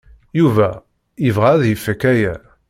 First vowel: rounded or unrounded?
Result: rounded